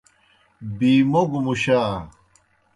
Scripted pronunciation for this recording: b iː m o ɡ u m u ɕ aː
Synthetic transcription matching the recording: b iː m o ɡ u m u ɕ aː

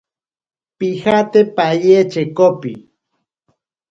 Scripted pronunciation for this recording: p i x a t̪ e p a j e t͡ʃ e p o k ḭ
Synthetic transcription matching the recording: p i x a t̪ e p a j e t͡ʃ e k o p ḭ

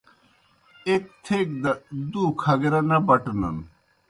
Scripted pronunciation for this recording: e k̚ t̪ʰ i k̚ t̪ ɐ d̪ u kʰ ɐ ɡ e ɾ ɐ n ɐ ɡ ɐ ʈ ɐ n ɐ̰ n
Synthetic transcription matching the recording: e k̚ t̪ʰ e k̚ d̪ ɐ d̪ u kʰ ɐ ɡ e ɾ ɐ n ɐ b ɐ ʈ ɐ n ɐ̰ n

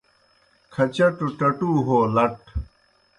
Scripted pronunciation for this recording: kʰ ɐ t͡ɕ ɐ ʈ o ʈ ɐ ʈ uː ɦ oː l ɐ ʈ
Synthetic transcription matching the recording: kʰ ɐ t͡ɕ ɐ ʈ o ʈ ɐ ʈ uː ɦ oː l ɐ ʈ

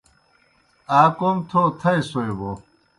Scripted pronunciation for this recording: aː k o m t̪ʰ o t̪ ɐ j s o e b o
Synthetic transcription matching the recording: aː k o m t̪ʰ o t̪ʰ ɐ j s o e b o

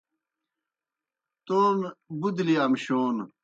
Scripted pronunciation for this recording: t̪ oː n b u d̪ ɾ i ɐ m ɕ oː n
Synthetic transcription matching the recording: t̪ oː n b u d̪ l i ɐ m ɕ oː n

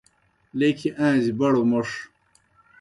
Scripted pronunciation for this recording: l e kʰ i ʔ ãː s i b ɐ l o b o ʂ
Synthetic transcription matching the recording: l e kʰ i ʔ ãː z i b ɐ ɽ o m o ʂ

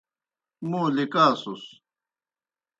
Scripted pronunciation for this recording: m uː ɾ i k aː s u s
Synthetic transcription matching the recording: m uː l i k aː s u s

